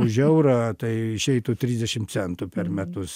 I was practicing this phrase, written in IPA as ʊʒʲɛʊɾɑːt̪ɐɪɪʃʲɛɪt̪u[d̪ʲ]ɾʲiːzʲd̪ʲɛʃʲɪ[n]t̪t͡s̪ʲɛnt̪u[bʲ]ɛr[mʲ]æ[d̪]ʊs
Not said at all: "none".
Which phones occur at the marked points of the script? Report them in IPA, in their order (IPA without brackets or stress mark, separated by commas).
t̪ʲ, m, pʲ, mʲ, t̪